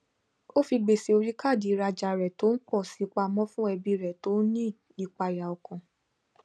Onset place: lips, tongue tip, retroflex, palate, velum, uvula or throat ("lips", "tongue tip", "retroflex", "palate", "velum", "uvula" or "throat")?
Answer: lips